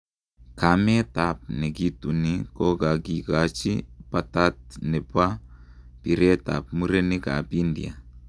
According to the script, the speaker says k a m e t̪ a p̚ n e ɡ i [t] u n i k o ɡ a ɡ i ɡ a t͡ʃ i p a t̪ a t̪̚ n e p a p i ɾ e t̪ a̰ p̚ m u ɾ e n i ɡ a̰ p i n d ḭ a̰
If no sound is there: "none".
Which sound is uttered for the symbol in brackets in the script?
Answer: t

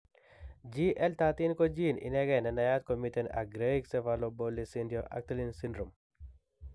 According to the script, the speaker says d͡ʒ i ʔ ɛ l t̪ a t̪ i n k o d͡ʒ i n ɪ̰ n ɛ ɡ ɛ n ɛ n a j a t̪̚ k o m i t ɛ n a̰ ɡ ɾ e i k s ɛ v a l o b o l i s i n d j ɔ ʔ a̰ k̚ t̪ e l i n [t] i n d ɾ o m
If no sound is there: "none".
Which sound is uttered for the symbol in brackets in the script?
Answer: s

